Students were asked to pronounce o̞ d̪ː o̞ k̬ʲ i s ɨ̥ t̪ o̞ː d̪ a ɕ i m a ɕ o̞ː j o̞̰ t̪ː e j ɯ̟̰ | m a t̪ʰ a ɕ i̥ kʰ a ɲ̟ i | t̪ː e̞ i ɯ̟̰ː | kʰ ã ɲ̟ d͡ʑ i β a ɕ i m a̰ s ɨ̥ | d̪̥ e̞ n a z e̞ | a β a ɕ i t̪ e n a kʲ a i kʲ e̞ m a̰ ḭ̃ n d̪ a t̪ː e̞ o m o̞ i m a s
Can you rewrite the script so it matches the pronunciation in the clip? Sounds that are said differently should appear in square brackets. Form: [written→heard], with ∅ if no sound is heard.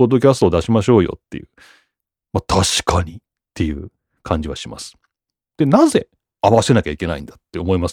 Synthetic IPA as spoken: o̞ d̪ː o̞ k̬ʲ [i→a] s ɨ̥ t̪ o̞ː d̪ a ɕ i m a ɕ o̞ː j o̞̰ t̪ː e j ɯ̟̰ | m a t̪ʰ a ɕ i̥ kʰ a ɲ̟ i | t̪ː e̞ [i→j] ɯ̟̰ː | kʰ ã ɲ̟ d͡ʑ i β a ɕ i m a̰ s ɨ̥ | d̪̥ e̞ n a z e̞ | a β a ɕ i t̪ e n a kʲ a i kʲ e̞ [m→n] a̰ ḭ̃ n d̪ a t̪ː e̞ o m o̞ i m a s